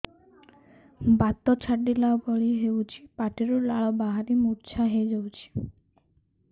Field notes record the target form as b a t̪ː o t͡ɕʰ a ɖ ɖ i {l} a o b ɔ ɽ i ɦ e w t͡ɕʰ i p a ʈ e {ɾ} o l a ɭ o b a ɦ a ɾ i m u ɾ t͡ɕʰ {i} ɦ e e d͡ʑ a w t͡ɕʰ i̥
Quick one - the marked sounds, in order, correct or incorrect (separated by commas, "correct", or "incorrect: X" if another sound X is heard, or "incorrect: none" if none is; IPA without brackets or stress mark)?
correct, correct, incorrect: a